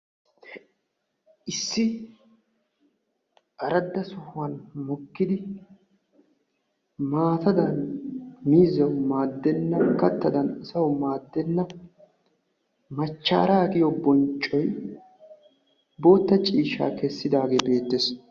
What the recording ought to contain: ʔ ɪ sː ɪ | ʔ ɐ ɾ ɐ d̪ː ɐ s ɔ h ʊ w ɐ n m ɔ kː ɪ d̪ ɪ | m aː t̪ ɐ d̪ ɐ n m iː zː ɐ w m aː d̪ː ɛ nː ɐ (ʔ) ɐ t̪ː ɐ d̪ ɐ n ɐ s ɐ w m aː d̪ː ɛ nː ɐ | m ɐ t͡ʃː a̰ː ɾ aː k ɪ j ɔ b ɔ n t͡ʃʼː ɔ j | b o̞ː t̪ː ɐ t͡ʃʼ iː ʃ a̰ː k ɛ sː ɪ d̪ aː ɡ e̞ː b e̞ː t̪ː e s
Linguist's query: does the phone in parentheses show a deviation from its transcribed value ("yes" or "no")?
yes